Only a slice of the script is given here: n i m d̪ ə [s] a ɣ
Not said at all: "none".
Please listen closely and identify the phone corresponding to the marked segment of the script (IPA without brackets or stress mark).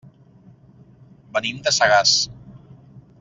s